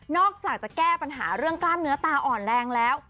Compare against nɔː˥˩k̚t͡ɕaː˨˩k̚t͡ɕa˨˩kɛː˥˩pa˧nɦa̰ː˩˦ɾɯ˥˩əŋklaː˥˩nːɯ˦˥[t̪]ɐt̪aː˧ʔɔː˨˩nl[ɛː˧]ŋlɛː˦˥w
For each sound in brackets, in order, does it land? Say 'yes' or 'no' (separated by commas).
no, yes